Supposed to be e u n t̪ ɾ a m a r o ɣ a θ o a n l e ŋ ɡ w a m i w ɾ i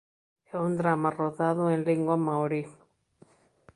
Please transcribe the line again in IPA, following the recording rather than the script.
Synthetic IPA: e u n d̪ ɾ a m a r o ð a ð o e n l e ŋ ɡ w a m a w ɾ i